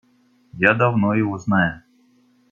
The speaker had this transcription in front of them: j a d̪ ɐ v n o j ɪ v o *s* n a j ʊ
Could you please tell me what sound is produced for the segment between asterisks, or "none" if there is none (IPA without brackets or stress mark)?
z